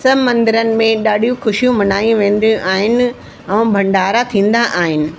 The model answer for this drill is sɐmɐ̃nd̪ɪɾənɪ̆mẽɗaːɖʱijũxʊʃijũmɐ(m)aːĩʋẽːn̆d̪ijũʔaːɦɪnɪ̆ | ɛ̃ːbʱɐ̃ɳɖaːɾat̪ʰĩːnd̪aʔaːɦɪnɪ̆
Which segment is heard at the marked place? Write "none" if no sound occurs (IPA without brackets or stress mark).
n